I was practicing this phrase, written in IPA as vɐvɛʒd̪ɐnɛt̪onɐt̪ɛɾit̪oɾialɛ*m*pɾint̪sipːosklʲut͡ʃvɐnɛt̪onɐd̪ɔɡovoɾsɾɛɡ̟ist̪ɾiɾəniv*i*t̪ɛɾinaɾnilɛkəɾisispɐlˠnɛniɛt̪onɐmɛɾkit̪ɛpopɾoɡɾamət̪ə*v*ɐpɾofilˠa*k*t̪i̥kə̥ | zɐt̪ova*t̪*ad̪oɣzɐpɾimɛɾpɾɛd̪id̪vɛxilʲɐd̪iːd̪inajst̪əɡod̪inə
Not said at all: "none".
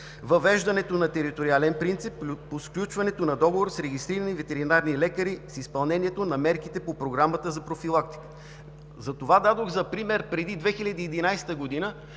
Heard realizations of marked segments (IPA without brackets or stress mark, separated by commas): n, ɛ, z, k, d̪